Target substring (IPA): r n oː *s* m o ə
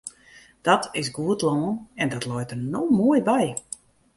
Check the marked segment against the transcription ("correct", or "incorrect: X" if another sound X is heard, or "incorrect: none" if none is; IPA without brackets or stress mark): incorrect: none